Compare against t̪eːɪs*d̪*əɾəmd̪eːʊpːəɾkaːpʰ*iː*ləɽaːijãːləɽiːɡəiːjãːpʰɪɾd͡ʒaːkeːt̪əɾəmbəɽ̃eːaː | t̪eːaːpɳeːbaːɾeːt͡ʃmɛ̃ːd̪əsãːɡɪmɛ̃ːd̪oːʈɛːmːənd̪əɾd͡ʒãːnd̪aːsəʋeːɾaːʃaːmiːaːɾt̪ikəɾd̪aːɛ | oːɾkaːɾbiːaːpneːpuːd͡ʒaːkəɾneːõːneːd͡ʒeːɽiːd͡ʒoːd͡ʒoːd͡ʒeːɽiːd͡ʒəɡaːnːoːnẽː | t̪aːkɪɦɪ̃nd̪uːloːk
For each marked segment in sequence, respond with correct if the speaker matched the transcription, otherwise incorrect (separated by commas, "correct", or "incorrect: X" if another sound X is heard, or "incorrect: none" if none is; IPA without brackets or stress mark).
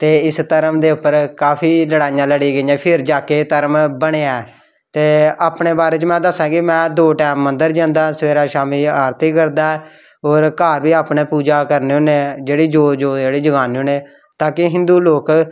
incorrect: t̪, correct